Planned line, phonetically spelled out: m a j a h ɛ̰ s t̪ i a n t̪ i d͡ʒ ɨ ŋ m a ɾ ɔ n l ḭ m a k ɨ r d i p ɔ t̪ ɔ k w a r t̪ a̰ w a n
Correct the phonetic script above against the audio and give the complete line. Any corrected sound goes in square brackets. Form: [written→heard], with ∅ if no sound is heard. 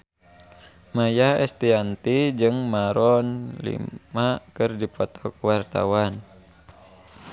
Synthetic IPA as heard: m a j a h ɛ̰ s t̪ i a n t̪ i d͡ʒ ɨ ŋ m a ɾ ɔ n l ḭ m a k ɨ r d i p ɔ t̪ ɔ k w a r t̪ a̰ w a n